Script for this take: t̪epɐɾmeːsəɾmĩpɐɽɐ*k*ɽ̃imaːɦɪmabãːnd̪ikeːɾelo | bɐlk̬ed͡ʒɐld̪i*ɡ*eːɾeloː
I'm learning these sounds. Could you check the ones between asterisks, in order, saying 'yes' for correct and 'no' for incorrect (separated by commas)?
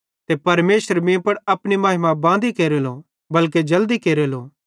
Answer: no, no